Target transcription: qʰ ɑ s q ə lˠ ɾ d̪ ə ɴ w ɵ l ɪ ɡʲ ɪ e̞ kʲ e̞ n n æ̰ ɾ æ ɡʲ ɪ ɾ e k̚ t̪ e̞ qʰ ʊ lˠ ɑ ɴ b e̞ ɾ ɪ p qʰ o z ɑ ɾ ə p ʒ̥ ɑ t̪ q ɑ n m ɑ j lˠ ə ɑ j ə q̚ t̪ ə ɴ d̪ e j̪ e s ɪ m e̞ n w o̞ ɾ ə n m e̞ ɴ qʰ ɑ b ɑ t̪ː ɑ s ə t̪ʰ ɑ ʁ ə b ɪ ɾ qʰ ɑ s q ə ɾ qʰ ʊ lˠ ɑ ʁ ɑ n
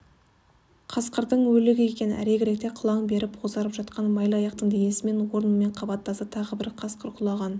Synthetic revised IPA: qʰ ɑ s q ə ɾ d̪ ə ɴ w ɵ l ɪ ɡʲ ɪ e̞ kʲ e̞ n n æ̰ ɾ e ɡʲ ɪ ɾ e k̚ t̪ e̞ qʰ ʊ lˠ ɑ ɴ b e̞ ɾ ɪ p qʰ o z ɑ ɾ ə p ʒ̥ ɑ t̪ q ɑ n m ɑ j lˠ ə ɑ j ɑ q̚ t̪ ə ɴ d̪ e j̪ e s ɪ m e̞ n w o̞ ɾ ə n m e̞ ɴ qʰ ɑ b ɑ t̪ː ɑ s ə t̪ʰ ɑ ʁ ə b ɪ ɾ qʰ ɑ s q ə ɾ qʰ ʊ lˠ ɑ ʁ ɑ n